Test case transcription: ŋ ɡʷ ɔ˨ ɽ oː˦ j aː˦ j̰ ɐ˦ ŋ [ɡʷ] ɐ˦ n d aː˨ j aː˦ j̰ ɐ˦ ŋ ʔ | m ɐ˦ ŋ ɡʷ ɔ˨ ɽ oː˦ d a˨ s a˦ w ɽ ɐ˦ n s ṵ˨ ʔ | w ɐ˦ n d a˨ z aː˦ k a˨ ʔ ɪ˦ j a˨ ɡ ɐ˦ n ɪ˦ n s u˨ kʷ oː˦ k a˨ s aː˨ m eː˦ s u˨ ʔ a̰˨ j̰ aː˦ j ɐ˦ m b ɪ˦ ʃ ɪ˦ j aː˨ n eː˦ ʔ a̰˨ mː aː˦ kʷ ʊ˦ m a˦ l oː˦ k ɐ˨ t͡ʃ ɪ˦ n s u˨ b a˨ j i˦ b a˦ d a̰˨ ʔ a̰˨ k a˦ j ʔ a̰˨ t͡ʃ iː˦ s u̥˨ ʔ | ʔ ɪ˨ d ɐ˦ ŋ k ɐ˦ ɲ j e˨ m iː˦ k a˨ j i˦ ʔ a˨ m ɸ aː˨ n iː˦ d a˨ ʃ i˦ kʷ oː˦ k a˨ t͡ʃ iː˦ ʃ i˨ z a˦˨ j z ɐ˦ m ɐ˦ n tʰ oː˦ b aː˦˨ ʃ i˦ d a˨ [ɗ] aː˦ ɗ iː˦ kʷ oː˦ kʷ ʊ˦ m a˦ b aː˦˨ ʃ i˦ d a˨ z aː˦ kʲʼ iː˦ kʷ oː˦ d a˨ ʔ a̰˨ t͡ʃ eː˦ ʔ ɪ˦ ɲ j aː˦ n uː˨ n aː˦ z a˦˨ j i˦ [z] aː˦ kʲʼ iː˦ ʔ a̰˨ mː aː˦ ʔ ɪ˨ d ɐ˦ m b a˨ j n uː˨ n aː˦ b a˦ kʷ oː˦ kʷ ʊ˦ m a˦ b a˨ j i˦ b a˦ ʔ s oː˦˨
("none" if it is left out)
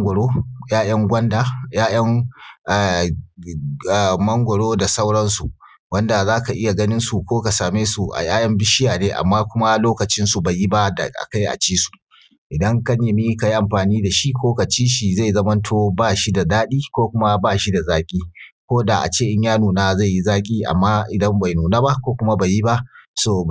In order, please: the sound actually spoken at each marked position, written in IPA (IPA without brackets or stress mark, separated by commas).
ɡʷ, d, z